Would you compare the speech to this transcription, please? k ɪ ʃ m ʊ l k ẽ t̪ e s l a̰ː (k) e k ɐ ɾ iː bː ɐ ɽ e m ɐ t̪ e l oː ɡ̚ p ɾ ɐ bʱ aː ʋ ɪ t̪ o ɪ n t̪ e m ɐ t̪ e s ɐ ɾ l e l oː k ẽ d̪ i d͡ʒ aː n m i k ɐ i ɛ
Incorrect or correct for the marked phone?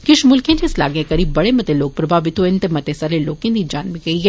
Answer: incorrect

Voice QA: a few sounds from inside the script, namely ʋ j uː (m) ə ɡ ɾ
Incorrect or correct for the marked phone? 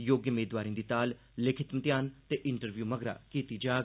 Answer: correct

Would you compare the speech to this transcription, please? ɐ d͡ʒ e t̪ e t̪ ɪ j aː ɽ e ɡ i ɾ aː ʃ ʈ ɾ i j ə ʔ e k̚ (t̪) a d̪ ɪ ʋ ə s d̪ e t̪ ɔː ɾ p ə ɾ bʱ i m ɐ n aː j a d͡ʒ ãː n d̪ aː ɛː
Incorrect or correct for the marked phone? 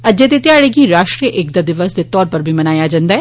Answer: incorrect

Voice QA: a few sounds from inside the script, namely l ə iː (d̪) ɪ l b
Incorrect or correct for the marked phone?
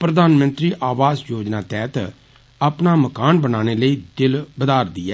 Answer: correct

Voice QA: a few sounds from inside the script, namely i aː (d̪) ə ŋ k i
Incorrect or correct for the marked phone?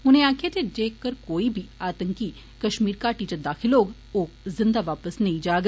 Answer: incorrect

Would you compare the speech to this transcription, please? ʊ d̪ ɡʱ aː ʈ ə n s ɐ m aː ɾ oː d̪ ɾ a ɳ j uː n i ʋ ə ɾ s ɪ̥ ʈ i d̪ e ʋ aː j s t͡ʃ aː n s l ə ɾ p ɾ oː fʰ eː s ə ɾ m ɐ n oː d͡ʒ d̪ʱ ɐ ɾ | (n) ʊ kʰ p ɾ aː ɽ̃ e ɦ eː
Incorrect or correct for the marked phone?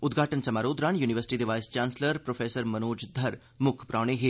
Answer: incorrect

